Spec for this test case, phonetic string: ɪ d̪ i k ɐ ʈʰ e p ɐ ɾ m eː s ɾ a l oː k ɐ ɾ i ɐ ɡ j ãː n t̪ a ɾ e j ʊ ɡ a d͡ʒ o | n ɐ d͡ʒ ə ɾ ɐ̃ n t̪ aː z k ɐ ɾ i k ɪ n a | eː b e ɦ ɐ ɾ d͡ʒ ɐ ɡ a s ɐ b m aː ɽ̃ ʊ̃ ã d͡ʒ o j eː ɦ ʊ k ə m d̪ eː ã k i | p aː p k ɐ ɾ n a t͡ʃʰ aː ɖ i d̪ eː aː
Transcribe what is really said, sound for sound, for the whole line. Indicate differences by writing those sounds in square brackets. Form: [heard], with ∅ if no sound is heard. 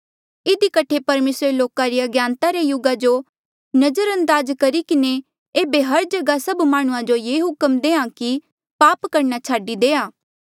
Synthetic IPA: ɪ d̪ i k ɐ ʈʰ e p ɐ ɾ m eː s ɾ [e] l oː k [a] ɾ i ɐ ɡ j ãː n t̪ a ɾ e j ʊ ɡ a d͡ʒ o | n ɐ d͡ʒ ə ɾ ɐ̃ n [d̪] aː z k ɐ ɾ i k ɪ n [e] | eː b e ɦ ɐ ɾ d͡ʒ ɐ ɡ a s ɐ b m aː ɽ̃ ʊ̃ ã d͡ʒ o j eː ɦ ʊ k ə m d̪ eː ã k i | p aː p k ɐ ɾ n a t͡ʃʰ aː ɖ i d̪ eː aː